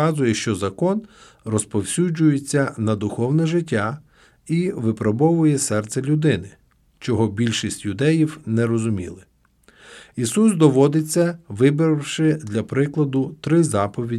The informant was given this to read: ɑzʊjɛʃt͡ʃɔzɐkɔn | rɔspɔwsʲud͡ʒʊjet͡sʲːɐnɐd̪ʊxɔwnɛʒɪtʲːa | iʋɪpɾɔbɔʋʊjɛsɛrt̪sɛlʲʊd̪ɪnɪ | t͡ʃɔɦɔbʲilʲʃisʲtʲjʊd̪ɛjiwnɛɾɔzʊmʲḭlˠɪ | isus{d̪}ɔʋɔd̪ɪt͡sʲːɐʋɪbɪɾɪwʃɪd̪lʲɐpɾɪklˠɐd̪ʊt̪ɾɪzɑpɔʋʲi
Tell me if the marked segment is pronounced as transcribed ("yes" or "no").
yes